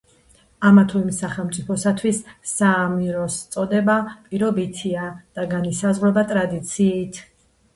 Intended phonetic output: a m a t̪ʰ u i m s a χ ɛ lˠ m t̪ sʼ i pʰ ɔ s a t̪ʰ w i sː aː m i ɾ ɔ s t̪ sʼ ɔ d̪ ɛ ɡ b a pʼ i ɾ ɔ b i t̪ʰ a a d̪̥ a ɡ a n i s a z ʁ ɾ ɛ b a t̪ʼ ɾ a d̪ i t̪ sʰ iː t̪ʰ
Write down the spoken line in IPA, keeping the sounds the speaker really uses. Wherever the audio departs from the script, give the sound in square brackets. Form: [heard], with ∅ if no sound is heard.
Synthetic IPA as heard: a m a t̪ʰ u i m s a χ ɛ lˠ m t̪ sʼ i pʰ ɔ s a t̪ʰ w i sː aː m i ɾ ɔ s t̪ sʼ ɔ d̪ ɛ [∅] b a pʼ i ɾ ɔ b i t̪ʰ [i] a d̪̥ a ɡ a n i s a z ʁ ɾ ɛ b a t̪ʼ ɾ a d̪ i t̪ sʰ iː t̪ʰ